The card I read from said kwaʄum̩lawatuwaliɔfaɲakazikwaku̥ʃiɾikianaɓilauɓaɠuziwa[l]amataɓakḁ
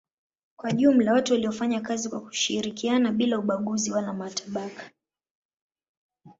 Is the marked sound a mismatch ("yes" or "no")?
no